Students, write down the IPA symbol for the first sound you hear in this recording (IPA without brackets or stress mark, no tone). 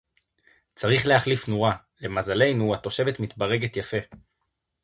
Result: t͡s